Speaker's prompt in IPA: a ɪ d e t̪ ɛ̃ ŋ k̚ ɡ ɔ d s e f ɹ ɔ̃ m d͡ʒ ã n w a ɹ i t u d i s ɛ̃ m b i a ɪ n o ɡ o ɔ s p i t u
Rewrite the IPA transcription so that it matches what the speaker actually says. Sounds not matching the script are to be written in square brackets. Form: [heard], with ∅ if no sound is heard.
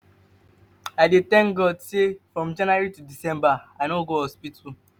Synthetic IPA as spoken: a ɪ d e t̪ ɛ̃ ŋ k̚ ɡ ɔ d s e f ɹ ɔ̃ m d͡ʒ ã n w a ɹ i t u d i s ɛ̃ m b [a] a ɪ n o ɡ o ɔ s p i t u